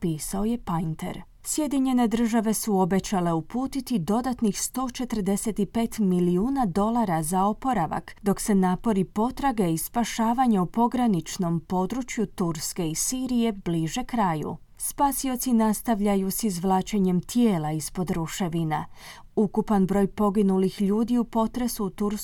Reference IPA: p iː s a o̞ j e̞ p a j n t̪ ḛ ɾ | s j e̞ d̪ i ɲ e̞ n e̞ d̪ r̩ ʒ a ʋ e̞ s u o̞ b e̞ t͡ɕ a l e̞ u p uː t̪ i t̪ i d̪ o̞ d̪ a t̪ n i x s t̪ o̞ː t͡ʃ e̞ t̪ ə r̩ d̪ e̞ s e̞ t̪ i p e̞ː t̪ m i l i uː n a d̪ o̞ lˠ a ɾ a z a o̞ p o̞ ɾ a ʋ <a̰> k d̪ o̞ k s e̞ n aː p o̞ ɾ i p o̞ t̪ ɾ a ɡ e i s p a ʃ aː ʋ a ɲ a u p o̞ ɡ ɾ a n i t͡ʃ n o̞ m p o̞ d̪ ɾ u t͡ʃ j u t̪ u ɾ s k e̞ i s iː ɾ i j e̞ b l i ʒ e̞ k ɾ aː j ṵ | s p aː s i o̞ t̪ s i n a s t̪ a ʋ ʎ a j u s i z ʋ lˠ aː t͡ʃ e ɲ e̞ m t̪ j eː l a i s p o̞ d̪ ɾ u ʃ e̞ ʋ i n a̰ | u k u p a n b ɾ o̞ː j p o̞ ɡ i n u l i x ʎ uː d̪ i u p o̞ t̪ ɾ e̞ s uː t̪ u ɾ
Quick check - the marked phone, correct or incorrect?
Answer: correct